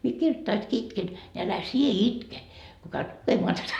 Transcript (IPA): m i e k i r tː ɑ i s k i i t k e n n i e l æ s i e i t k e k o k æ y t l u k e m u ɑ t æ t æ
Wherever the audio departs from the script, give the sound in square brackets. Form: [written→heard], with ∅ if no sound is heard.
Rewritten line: m i e k i r tː ɑ i s k i i t k e n n i [e→æ] l æ s i e i t k e k o k æ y t l u k e m [u→o] ɑ t æ t æ

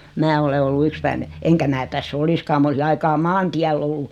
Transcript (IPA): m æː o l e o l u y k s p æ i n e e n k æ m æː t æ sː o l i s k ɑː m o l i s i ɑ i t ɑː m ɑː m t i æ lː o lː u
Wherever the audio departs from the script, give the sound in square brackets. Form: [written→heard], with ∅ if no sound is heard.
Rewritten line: m æː o l e o [l→lː] u y k s p æ i n e e [n→ŋ] k æ m æː t æ sː o l i s k ɑː m o l i s i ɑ i [t→k] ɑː m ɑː [m→n] t i æ lː o lː u

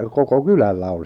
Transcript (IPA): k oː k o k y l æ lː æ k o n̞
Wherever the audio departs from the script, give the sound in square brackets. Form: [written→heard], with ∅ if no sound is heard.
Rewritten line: k [oː→o] k o k y l æ lː æ [k→∅] o n̞

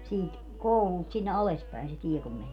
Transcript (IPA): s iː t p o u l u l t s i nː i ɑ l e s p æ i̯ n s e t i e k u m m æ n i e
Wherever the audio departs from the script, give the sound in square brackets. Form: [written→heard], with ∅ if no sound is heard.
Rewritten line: s iː t [p→k] o u l u l t s i nː [i→e] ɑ l e s p æ i̯ n s e t i e k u m m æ n i e

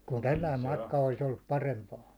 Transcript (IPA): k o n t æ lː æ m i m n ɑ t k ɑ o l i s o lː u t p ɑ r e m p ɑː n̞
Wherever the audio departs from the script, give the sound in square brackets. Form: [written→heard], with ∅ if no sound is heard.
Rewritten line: k [o→u] n t æ lː æ [m→∅] i m [n→m] ɑ t k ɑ o l i s o lː u [t→p] p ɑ r e m p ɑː n̞

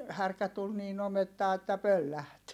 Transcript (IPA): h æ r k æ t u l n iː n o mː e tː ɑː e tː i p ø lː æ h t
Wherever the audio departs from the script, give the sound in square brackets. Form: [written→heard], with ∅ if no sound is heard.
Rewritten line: h æ r k æ t u l n iː n o [mː→m] e tː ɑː e tː [i→æ] p ø lː æ h t

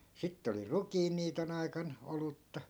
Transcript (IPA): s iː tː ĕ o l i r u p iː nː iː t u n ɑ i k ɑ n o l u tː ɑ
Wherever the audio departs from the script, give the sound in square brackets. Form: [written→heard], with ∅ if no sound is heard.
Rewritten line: s [iː→i] tː ĕ o l i r u [p→k] iː nː iː t [u→o] n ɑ i k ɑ n o l u tː ɑ

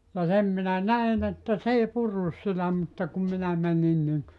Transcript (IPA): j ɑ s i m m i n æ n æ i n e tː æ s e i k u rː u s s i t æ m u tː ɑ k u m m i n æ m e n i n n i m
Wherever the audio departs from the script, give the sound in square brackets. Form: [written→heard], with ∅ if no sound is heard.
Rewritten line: j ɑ s [i→e] m m i n æ n æ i n e tː æ s e i [k→p] u rː u s s i t æ m u tː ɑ k u m m i n æ m [e→æ] n i n n i [m→ŋ]

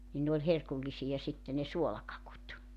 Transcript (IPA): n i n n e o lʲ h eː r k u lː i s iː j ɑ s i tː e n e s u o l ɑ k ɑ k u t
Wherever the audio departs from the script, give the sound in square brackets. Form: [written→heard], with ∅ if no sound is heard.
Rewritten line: n i n n e o lʲ h [eː→e] r k u lː i s [iː→i] j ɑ s i tː e n e s u o l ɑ k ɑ k u t

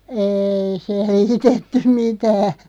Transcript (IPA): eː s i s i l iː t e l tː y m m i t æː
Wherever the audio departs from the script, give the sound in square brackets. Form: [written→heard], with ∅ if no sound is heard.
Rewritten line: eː [s→∅] i s [i→e] l iː t e [l→∅] tː y m m i t æː

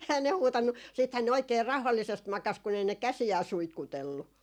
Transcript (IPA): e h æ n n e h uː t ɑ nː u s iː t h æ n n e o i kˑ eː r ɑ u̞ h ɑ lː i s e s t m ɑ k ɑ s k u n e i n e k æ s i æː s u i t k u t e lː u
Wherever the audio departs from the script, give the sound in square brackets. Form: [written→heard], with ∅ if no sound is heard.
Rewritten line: e h æ n n e h uː t ɑ nː u s iː t h æ n n e o i kˑ eː r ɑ u̞ h ɑ lː i s e s t m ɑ k ɑ s k u n e i n e k æ s i æː s u i t k u t e lː u

